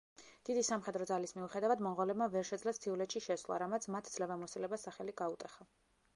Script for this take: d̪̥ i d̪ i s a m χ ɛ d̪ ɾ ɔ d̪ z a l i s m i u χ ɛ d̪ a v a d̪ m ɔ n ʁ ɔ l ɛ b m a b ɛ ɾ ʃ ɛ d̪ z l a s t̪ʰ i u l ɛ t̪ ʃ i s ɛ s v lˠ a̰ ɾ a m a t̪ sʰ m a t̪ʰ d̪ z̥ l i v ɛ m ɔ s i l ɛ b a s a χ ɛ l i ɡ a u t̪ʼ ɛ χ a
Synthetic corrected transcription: d̪̥ i d̪ i s a m χ ɛ d̪ ɾ ɔ d̪ z a l i s m i u χ ɛ d̪ a v a d̪ m ɔ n ʁ ɔ l ɛ b m a v ɛ ɾ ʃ ɛ d̪ z l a s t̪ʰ i u l ɛ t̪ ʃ i ʃ ɛ s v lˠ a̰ ɾ a m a t̪ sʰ m a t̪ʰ d̪ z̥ l ɛ v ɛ m ɔ s i l ɛ b a s a χ ɛ l i ɡ a u t̪ʼ ɛ χ a